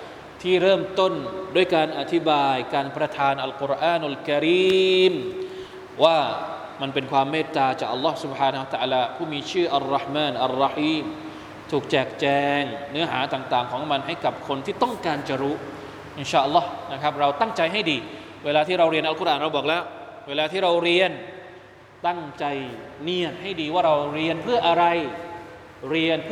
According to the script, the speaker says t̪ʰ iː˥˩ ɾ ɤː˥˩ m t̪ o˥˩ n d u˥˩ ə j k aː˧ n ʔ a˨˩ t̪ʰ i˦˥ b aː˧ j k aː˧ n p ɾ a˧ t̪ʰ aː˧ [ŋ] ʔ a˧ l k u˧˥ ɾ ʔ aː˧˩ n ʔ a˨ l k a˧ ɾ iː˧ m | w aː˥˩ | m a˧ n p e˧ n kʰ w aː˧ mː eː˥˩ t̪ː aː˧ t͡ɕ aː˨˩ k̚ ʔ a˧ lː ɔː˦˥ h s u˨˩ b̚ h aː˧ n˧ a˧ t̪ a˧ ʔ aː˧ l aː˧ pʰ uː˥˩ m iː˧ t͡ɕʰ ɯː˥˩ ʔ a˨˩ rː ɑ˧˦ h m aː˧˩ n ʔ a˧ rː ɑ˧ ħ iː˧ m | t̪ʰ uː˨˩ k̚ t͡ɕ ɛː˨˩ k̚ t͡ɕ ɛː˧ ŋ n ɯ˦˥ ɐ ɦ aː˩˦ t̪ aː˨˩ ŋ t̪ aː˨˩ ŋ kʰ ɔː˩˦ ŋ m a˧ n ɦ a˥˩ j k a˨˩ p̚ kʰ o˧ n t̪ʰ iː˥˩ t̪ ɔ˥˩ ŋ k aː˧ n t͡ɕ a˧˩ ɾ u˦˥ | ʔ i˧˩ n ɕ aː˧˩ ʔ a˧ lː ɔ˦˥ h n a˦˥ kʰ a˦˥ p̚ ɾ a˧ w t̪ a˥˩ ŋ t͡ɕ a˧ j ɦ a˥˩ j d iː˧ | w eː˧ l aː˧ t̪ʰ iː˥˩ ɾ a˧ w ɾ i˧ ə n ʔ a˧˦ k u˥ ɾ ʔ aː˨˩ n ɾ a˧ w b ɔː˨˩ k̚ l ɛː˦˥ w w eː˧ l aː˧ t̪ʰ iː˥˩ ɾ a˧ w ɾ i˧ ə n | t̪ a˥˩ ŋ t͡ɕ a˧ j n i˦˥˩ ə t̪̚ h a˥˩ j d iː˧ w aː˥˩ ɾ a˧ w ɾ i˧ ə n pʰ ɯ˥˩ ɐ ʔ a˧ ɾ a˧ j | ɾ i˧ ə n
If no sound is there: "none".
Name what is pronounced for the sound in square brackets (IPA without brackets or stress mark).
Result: n